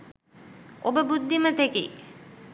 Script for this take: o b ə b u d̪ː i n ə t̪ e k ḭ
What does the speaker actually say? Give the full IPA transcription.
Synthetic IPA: o b ə b u d̪ː i m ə t̪ e k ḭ